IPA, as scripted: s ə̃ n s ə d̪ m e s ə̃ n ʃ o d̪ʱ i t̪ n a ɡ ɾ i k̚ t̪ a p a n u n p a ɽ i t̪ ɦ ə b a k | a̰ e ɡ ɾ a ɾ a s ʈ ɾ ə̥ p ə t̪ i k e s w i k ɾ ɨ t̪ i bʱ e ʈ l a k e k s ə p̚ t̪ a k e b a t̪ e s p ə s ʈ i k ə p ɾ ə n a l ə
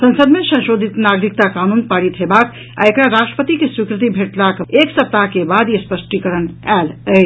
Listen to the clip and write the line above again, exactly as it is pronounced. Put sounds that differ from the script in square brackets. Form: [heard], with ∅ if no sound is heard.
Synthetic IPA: s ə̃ n s ə d̪ m e s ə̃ n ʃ o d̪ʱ i t̪ n a ɡ ɾ i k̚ t̪ a [k] a n u n p a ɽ i t̪ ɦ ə b a k | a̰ e [k] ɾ a ɾ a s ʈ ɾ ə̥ p ə t̪ i k e s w i k ɾ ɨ t̪ i bʱ e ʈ l a k e k s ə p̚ t̪ a k e b a [d̪] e s p ə s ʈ i k ə [∅] ɾ ə n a l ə